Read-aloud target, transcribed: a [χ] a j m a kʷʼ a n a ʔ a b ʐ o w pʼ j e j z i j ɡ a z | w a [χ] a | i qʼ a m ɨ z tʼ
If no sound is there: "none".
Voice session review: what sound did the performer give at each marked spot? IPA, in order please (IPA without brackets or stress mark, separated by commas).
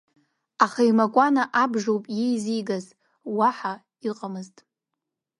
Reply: χ, ħ